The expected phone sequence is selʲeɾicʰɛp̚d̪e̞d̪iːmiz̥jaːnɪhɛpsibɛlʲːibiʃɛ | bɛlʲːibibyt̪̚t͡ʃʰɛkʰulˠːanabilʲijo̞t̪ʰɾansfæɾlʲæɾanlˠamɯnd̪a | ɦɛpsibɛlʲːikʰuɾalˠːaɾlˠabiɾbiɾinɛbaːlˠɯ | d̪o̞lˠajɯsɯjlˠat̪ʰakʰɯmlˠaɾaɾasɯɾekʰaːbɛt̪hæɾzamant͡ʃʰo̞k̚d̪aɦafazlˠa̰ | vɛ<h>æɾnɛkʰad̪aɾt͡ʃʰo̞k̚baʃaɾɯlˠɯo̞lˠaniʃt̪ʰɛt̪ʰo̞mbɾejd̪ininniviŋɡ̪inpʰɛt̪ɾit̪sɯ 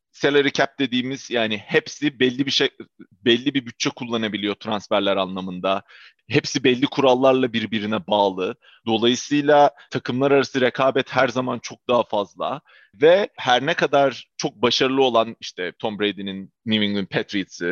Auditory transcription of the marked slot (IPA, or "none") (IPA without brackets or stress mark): h